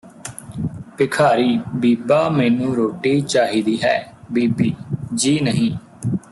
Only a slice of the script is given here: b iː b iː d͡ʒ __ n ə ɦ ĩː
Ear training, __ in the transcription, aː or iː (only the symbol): iː